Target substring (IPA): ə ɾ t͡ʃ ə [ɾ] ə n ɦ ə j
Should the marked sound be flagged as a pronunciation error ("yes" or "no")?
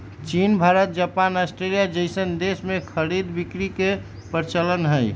yes